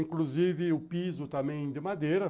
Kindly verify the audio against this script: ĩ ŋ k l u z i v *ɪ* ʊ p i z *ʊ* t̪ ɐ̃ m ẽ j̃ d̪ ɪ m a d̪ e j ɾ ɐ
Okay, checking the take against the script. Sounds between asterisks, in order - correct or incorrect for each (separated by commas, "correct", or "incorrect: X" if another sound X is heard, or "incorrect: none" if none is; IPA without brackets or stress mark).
correct, correct